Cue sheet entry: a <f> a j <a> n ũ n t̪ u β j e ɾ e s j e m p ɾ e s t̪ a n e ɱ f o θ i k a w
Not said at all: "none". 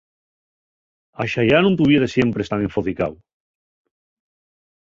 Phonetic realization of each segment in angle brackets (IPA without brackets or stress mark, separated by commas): ʃ, a